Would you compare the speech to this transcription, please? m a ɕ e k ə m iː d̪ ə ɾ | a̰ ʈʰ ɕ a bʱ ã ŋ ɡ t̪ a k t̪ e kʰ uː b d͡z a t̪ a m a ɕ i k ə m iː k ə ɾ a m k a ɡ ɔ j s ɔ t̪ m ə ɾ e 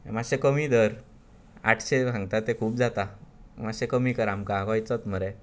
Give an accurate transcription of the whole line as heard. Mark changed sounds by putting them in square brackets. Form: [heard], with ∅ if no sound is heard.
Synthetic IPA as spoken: m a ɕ e k ə m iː d̪ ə ɾ | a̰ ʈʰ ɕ [e] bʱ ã ŋ ɡ t̪ a [∅] t̪ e kʰ uː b d͡z a t̪ a m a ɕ [e] k ə m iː k ə ɾ a m k a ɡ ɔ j [t͡s] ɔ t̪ m ə ɾ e